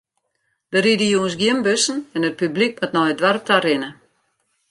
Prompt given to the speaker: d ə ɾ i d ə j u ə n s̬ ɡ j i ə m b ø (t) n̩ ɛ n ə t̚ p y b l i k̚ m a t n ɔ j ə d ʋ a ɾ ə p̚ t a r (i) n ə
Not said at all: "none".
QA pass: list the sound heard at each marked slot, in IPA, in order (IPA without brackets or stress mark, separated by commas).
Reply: s, ɪ